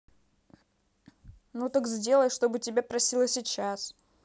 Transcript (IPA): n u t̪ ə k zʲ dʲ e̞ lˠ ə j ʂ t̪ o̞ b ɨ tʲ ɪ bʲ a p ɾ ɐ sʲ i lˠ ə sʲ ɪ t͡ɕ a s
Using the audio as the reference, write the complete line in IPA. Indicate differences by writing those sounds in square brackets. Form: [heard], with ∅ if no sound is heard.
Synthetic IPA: n u t̪ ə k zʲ dʲ e̞ lˠ ə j ʂ t̪ o̞ b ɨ tʲ ɪ bʲ a p ɾ ɐ sʲ i lˠ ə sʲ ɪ t͡ɕ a s